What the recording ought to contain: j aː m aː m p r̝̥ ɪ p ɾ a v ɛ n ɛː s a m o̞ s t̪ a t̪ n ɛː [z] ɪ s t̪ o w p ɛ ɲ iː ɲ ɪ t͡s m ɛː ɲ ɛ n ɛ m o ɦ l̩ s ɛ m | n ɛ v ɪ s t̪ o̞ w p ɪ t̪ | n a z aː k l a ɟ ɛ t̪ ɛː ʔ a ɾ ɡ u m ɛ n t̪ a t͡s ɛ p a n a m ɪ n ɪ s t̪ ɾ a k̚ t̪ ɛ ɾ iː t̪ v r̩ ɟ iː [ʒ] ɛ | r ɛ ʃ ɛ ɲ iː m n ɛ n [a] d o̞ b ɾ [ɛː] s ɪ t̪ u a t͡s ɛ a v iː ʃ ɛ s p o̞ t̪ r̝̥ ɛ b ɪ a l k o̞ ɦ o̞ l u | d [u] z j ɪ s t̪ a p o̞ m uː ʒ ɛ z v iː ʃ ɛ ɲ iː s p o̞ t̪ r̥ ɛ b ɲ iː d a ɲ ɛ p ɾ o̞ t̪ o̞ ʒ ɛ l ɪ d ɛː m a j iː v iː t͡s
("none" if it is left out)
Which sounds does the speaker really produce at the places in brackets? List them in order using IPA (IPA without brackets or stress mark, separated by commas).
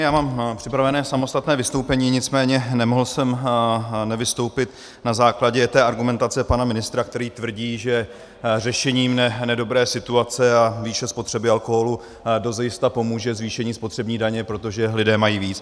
v, ʒ, ɛ, ɛː, o